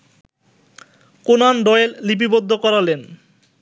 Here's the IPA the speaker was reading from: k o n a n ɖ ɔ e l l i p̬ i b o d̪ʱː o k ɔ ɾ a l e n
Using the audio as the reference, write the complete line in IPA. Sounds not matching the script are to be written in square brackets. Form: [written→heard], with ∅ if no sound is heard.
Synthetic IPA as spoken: k o n a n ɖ ɔ e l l i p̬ i b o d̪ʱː o k ɔ ɾ a l e n